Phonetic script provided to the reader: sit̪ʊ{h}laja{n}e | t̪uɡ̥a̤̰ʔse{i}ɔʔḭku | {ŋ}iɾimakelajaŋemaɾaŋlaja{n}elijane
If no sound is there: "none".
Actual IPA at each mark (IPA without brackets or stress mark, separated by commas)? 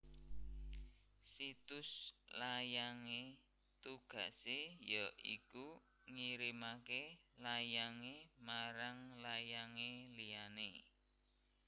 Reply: s, ŋ, j, ŋ, ŋ